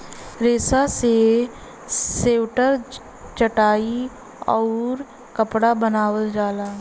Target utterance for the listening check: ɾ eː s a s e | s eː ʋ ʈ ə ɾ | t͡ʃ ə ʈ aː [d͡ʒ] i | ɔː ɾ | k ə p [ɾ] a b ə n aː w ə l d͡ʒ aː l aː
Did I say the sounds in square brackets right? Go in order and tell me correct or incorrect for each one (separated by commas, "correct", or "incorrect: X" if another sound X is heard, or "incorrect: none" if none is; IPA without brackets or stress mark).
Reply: incorrect: none, incorrect: ɽ